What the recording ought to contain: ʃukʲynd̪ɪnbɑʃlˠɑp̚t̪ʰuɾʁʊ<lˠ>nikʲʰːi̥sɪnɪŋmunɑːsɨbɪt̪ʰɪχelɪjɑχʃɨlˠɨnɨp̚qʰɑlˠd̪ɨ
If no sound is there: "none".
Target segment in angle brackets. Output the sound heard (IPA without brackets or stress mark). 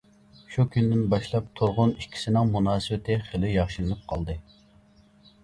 none